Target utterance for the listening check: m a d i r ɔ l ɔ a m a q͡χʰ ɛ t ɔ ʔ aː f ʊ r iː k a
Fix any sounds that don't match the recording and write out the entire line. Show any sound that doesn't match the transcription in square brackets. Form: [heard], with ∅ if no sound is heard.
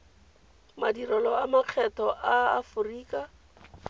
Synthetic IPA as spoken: m a d i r ɔ l ɔ a m a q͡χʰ ɛ t ɔ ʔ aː f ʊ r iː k a